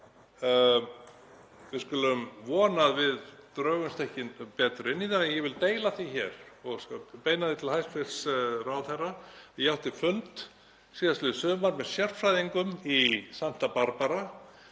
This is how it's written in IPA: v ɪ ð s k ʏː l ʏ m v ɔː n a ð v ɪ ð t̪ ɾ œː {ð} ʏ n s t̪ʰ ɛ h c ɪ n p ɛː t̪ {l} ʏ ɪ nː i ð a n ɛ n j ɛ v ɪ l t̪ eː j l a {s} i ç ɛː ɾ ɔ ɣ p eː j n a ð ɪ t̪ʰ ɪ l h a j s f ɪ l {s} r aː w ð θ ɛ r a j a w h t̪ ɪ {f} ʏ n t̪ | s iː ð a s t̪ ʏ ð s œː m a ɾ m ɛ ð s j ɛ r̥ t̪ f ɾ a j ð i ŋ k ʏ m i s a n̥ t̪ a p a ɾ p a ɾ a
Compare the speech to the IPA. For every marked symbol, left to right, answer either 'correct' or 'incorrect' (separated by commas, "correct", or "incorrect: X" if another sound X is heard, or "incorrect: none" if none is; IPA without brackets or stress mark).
incorrect: ɣ, incorrect: ɾ, incorrect: θ, correct, correct